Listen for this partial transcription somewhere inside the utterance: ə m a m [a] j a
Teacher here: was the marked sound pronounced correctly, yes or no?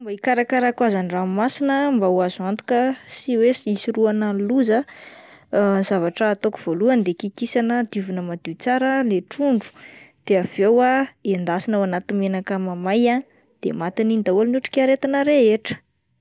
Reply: yes